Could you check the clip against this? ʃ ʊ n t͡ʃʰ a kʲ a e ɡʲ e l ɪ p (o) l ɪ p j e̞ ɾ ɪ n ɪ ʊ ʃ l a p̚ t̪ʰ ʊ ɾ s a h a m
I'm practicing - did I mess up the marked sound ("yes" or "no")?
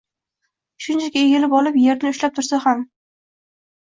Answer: yes